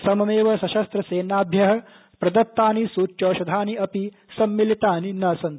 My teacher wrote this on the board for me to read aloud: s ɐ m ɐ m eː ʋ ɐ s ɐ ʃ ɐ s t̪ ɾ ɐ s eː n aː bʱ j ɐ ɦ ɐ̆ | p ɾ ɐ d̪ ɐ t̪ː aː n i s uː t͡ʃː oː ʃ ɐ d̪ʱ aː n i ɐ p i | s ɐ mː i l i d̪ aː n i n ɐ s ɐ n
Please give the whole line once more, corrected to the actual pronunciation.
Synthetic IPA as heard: s ɐ m ɐ m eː ʋ ɐ s ɐ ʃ ɐ s t̪ ɾ ɐ s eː n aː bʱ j ɐ ɦ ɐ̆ | p ɾ ɐ d̪ ɐ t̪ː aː n i s uː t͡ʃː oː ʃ ɐ d̪ʱ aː n i ɐ p i | s ɐ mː i l i t̪ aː n i n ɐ s ɐ n